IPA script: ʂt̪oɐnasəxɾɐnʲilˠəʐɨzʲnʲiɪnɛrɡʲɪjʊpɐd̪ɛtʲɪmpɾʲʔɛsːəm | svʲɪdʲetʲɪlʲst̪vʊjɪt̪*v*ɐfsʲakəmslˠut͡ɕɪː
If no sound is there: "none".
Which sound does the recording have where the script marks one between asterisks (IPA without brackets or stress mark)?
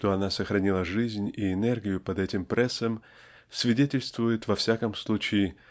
v